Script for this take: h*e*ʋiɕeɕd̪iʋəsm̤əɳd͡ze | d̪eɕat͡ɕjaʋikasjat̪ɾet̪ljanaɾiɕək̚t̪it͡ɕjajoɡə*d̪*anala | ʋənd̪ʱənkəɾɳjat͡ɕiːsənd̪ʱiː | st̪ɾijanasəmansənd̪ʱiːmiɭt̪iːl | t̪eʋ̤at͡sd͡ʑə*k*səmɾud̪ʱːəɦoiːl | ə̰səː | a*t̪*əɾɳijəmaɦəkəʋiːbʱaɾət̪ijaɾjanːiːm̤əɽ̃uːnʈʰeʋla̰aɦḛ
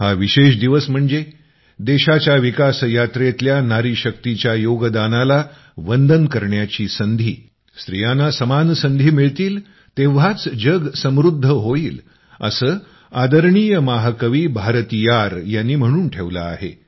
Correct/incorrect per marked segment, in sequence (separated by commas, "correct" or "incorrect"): incorrect, correct, incorrect, incorrect